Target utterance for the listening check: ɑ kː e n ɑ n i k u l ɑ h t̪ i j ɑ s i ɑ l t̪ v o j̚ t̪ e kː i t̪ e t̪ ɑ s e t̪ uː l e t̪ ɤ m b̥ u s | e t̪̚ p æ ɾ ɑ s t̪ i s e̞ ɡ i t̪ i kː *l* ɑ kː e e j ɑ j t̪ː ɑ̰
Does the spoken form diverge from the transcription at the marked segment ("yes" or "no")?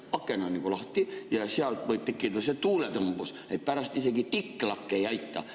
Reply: no